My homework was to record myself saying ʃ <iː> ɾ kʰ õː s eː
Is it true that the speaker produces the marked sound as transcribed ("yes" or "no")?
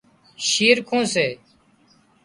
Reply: yes